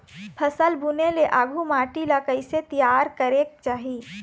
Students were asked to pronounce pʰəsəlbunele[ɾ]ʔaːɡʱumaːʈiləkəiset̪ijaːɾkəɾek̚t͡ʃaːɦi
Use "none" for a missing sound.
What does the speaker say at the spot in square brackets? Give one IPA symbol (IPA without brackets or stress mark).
none